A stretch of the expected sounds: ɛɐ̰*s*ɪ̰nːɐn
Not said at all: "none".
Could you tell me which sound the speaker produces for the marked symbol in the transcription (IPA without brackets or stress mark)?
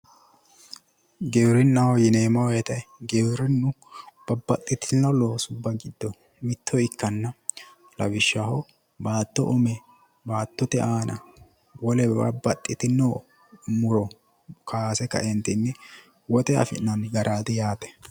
f